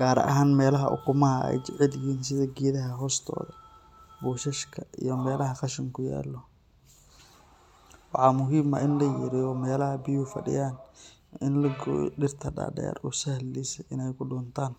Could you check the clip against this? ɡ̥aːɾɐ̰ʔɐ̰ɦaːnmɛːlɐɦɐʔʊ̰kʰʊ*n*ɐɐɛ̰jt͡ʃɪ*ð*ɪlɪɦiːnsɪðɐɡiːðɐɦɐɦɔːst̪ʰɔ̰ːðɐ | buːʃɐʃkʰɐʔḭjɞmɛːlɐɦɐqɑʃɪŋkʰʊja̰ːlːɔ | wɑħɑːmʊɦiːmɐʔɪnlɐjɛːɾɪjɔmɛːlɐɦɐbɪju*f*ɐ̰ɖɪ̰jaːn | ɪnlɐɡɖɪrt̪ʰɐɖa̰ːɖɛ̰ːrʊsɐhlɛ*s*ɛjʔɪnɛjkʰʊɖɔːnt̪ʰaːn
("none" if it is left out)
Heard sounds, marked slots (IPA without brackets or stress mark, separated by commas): m, ʕ, f, s